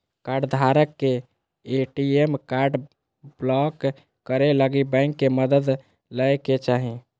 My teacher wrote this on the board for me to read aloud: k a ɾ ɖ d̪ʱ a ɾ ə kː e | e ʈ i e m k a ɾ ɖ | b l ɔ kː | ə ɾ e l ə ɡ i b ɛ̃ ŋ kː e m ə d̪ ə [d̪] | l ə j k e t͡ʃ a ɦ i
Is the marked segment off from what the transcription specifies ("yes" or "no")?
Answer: no